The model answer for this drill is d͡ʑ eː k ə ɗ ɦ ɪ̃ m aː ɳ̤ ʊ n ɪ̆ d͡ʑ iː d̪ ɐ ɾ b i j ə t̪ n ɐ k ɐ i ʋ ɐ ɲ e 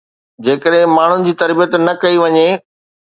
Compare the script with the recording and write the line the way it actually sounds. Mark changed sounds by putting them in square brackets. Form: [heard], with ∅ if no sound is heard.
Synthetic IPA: d͡ʑ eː k ə ɗ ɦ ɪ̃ m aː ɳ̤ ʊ n ɪ̆ d͡ʑ iː [t̪] ɐ ɾ b i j ə t̪ n ɐ k ɐ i ʋ ɐ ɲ e